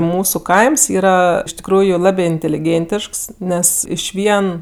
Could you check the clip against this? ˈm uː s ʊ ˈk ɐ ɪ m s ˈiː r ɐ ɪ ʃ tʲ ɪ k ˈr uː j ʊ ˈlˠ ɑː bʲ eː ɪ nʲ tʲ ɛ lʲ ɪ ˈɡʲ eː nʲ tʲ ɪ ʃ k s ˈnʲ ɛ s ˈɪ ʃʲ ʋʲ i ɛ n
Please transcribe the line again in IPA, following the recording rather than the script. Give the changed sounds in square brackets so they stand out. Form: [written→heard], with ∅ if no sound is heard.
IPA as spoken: ˈm uː s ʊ ˈk ɐ ɪ m s ˈiː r ɐ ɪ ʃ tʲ ɪ k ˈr uː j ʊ ˈlˠ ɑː bʲ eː ɪ nʲ tʲ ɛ lʲ ɪ ˈɡʲ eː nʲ tʲ ɪ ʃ k s ˈnʲ ɛ s ˈɪ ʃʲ ʋʲ i ɛ n